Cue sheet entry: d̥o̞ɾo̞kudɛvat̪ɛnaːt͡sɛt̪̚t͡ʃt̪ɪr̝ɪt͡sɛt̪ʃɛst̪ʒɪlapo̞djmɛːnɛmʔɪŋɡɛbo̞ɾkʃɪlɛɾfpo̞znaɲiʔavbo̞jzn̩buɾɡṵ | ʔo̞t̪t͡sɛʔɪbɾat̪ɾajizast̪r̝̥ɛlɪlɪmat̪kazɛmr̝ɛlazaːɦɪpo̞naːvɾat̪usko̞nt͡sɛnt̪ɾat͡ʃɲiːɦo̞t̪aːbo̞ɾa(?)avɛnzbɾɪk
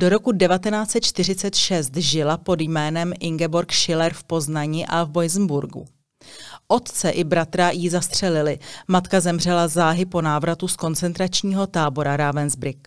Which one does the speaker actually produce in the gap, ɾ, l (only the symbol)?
ɾ